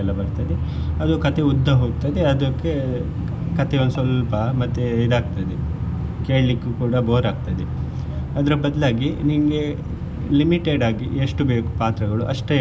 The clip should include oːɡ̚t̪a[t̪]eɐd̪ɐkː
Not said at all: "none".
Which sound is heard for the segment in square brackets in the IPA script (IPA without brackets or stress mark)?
d̪